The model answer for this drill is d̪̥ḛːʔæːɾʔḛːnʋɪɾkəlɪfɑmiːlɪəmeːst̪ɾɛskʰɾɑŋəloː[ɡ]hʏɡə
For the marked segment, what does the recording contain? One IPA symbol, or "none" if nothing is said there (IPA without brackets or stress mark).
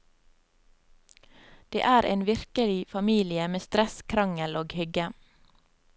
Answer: ɡ